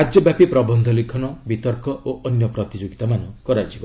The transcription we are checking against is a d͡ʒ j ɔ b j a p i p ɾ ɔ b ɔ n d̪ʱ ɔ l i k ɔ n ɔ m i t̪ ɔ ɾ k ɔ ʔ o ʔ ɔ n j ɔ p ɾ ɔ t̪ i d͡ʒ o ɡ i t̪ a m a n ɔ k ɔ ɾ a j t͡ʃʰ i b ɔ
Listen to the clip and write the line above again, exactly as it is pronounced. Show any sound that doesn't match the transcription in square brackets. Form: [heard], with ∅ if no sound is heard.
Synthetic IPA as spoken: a d͡ʒ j ɔ b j a p i p ɾ ɔ b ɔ n d̪ʱ ɔ l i [kʰ] ɔ n ɔ [b] i t̪ ɔ ɾ k ɔ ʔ o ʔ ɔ n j ɔ p ɾ ɔ t̪ i d͡ʒ o ɡ i t̪ a m a n ɔ k ɔ ɾ a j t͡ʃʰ i b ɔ

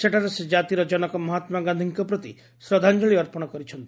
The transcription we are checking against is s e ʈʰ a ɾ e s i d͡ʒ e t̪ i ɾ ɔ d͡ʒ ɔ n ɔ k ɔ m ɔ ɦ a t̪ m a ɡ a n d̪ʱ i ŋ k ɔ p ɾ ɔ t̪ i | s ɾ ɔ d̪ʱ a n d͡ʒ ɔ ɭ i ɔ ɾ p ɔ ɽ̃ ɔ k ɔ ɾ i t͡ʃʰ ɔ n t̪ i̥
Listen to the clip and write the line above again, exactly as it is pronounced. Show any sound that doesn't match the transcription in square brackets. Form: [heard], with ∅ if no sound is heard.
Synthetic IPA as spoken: s e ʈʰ a ɾ e s [e] d͡ʒ [a] t̪ i ɾ ɔ d͡ʒ ɔ n ɔ k ɔ m ɔ ɦ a t̪ m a ɡ a n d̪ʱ i ŋ k ɔ p ɾ ɔ t̪ i | s ɾ ɔ d̪ʱ a n d͡ʒ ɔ ɭ i ɔ ɾ p ɔ ɽ̃ ɔ k ɔ ɾ i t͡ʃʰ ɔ n t̪ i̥

